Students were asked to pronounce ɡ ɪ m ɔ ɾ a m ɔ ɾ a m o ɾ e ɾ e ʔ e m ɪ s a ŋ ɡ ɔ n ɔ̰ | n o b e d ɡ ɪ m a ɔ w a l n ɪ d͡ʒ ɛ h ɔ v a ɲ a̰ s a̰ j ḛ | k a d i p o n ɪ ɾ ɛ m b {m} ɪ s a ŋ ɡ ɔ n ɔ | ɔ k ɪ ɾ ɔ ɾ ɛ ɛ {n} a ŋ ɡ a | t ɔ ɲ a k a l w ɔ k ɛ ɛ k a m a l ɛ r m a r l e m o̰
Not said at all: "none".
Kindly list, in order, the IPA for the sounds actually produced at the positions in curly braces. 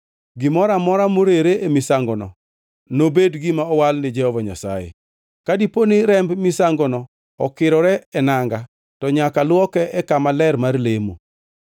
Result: m, n

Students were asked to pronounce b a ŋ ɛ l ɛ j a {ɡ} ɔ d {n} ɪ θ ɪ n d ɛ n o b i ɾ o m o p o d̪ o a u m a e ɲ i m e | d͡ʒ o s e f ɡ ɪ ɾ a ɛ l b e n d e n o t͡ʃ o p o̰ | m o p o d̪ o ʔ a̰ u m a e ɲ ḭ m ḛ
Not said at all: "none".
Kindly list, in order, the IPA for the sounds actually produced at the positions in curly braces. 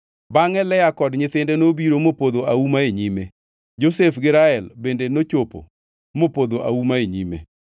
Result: k, ɲ

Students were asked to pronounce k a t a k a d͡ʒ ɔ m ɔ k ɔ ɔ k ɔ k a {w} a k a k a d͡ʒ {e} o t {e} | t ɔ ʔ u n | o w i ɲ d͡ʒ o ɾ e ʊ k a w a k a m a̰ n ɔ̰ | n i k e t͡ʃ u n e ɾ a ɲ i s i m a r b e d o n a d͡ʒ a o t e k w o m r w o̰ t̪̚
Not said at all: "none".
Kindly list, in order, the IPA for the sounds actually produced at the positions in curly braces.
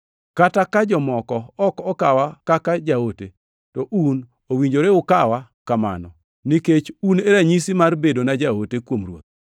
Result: w, a, e

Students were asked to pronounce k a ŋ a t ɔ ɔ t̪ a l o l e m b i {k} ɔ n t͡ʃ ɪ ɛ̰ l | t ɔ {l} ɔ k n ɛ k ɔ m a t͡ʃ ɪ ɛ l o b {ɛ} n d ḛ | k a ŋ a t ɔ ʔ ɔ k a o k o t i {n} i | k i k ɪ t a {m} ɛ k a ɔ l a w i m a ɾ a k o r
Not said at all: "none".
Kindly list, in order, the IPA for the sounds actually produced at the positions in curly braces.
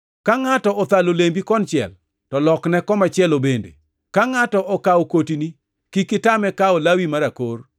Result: k, l, e, n, m

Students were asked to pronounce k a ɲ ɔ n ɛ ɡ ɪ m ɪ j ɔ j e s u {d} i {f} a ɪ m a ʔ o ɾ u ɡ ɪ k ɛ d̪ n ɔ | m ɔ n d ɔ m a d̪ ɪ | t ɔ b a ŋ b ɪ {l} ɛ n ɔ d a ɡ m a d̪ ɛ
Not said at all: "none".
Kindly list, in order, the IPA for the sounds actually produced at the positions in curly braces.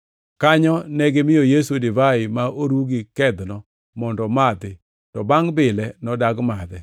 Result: d, v, l

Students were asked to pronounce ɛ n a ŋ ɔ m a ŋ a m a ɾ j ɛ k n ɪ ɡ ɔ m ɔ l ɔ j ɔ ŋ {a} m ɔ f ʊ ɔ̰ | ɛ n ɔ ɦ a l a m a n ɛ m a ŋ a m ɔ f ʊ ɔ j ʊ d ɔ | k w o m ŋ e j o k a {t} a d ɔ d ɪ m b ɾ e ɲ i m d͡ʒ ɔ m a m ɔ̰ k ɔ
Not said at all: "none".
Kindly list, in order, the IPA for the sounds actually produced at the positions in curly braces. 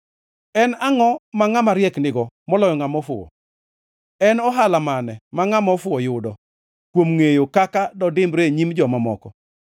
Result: a, k

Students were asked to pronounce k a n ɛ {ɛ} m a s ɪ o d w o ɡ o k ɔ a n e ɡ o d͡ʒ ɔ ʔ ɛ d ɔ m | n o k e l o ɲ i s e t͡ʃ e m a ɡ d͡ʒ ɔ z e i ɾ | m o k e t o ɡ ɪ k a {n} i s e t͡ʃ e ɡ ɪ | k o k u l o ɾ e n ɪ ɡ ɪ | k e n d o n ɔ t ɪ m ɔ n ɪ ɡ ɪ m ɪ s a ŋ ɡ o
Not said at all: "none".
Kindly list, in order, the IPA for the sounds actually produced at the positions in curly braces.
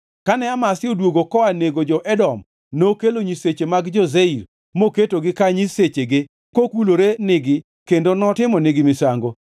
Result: a, ɲ

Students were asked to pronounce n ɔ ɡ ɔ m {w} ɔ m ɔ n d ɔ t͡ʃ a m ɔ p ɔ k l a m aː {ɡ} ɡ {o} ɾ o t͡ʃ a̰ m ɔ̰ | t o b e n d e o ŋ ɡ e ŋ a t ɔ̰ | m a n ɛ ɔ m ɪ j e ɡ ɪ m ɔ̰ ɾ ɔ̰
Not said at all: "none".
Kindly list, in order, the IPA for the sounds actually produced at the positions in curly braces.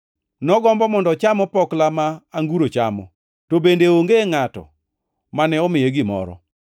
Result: b, ŋ, u

